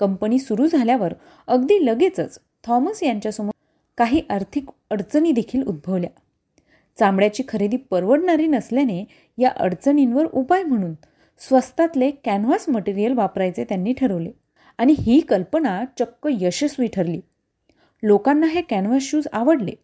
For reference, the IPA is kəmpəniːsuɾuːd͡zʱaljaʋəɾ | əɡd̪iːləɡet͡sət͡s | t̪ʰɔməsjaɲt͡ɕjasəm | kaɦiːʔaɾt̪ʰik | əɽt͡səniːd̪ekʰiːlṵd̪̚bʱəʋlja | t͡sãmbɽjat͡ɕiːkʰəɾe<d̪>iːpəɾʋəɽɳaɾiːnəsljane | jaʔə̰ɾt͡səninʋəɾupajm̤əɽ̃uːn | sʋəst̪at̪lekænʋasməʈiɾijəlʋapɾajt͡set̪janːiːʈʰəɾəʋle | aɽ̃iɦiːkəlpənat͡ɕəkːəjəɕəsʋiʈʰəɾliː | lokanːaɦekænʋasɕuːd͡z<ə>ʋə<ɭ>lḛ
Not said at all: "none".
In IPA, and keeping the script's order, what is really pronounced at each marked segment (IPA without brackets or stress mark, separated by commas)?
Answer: d̪, a, ɽ